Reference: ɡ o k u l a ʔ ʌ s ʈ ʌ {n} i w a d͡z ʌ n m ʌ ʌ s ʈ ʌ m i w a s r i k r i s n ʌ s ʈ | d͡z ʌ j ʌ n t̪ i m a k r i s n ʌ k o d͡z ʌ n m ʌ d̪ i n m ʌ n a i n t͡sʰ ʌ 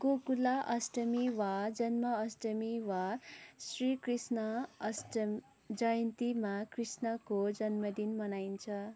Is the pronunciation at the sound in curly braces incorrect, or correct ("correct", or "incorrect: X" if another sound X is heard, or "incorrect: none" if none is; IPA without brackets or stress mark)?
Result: incorrect: m